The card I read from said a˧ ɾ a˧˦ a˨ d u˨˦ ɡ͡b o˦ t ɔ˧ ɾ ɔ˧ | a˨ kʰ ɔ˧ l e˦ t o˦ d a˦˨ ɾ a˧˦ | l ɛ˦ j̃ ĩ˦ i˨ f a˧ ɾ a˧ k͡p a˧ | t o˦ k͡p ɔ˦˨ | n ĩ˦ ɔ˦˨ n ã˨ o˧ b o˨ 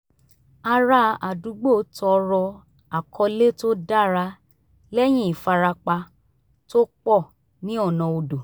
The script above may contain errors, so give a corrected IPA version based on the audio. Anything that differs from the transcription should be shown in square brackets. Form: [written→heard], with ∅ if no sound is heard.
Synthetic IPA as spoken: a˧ ɾ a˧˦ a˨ d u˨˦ ɡ͡b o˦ t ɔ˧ ɾ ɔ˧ | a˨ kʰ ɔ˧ l e˦ t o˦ d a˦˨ ɾ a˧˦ | l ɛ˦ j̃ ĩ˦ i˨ f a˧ ɾ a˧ k͡p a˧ | t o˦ k͡p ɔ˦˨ | n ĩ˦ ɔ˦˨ n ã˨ o˧ [b→d] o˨